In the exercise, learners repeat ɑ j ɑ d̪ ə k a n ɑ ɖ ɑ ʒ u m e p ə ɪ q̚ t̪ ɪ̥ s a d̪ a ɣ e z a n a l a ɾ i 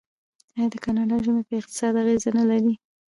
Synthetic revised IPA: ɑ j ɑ d̪ ə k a n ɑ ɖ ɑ ʒ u m e p ə ɪ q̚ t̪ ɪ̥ s ɑ d̪ a ɣ e z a n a l a ɾ i